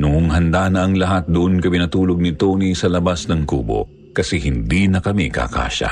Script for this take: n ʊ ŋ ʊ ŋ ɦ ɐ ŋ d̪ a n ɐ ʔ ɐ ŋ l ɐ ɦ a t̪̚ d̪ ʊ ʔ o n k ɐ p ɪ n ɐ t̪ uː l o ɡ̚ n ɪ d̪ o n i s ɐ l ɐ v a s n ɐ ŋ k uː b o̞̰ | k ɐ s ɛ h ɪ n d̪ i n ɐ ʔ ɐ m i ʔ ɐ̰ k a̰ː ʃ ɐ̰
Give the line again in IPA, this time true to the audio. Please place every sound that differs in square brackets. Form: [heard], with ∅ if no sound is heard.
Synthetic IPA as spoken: n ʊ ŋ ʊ ŋ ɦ ɐ [n] d̪ a n ɐ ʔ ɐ ŋ l ɐ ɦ a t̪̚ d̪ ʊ ʔ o n k ɐ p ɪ n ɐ t̪ uː l o ɡ̚ n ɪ [t̪] o n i s ɐ l ɐ [b] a s n ɐ ŋ k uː b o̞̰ | k ɐ s ɛ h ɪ n d̪ i n ɐ [k] ɐ m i [k] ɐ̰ k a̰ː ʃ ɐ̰